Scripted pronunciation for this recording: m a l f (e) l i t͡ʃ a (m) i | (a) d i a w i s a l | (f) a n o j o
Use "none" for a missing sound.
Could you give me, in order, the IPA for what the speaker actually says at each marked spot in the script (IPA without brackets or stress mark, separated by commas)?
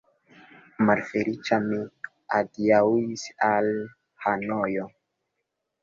e, m, a, h